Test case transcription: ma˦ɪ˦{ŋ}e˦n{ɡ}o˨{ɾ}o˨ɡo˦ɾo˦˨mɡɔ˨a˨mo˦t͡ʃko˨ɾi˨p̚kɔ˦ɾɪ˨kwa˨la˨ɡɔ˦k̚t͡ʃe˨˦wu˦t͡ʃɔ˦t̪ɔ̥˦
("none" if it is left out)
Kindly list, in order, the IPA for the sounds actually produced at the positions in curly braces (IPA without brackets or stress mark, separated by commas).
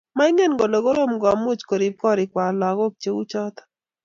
ŋ, ɡ, l